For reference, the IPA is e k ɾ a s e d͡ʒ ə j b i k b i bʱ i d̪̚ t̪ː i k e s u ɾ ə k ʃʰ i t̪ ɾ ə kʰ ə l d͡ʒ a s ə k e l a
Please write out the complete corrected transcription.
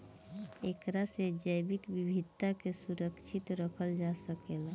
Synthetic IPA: e k ɾ a s e d͡ʒ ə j b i k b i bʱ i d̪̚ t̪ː a k e s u ɾ ə k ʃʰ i t̪ ɾ ə kʰ ə l d͡ʒ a s ə k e l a